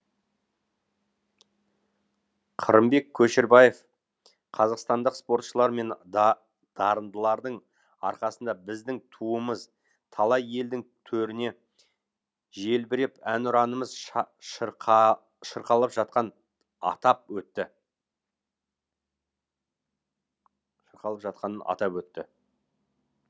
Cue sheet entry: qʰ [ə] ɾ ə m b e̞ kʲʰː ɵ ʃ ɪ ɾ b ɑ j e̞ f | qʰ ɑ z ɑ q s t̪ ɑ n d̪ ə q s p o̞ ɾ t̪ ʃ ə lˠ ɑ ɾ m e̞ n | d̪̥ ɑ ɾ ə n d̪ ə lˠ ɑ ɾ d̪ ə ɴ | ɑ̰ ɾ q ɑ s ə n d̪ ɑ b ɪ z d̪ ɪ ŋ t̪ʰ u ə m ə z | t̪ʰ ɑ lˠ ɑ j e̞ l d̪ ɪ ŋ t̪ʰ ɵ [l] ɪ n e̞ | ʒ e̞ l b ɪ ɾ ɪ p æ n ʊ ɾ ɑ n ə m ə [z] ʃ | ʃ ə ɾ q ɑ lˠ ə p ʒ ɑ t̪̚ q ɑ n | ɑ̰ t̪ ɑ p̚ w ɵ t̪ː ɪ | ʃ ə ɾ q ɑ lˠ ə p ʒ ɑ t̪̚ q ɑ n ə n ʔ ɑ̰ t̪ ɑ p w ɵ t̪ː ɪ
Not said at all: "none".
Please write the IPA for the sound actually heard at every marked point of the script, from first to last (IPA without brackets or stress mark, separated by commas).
ə, ɾ, z